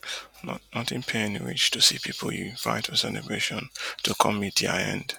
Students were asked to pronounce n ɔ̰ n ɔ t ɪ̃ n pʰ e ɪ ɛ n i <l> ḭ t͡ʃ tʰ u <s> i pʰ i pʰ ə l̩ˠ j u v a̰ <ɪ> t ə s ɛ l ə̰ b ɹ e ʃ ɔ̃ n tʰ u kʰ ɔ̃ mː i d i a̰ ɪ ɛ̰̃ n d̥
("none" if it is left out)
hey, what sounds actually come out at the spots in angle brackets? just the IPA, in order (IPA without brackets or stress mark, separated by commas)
ɹ, s, ɪ